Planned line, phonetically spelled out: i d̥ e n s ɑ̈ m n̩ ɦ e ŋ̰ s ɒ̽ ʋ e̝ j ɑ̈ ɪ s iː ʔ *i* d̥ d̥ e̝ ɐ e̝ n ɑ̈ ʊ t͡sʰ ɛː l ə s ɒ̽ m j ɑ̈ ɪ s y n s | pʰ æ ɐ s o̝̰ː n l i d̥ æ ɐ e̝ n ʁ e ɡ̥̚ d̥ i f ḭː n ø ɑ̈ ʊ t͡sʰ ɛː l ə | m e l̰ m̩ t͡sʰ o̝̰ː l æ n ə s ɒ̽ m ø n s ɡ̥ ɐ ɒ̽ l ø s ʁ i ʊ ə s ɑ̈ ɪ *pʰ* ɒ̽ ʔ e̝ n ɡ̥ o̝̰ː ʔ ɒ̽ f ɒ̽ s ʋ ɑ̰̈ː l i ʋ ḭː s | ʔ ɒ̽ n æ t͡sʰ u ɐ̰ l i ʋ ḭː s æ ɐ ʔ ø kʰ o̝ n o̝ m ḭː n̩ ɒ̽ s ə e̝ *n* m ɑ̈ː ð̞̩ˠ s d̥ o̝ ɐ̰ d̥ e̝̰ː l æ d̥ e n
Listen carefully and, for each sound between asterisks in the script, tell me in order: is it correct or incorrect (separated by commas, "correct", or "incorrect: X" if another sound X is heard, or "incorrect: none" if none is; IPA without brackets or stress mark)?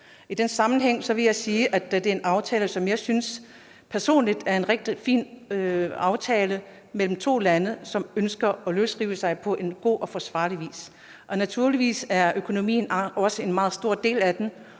incorrect: æ, correct, correct